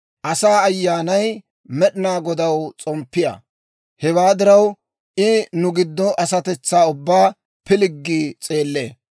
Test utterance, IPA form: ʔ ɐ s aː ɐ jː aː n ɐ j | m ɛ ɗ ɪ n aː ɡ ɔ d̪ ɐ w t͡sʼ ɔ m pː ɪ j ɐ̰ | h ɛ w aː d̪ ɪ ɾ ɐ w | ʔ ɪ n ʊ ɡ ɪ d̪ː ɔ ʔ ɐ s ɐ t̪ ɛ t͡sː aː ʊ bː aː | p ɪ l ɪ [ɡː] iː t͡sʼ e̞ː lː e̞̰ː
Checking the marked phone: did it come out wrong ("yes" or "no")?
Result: no